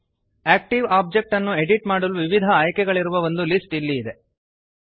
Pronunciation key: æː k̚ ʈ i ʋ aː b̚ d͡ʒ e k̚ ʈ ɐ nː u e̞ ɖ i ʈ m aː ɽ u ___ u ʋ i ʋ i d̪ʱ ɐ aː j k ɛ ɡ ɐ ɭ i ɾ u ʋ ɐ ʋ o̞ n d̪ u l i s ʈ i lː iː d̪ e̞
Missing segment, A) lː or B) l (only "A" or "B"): B